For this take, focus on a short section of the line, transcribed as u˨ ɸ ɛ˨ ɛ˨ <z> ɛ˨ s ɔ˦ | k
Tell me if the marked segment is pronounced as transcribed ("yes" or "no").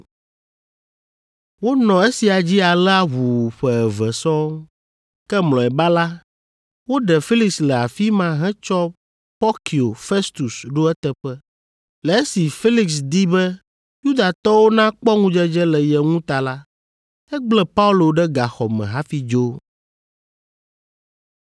no